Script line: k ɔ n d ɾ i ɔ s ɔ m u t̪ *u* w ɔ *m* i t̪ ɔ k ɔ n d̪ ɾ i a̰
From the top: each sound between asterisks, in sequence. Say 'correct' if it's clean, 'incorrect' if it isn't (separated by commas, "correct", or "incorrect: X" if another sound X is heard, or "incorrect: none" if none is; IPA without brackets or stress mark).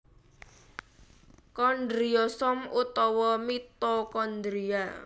incorrect: ɔ, correct